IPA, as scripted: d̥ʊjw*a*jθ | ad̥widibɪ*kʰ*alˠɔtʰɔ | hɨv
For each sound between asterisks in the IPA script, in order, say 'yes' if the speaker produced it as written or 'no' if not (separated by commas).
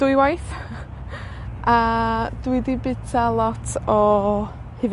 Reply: yes, no